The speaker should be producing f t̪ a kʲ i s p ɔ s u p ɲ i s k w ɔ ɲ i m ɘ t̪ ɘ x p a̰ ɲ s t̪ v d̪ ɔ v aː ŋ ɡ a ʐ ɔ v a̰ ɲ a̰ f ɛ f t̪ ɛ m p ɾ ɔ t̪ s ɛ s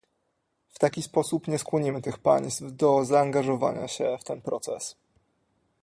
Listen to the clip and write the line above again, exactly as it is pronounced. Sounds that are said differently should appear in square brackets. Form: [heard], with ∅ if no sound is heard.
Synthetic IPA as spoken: f t̪ a kʲ i s p ɔ s u p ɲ [ɛ] s k w ɔ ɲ i m ɘ t̪ ɘ x p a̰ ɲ s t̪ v d̪ ɔ [z] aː ŋ ɡ a ʐ ɔ v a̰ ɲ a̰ [ɕ] ɛ f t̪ ɛ [n] p ɾ ɔ t̪ s ɛ s